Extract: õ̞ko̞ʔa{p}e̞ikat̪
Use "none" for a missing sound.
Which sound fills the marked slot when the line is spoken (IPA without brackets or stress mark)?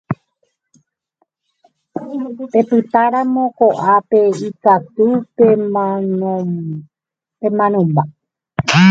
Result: p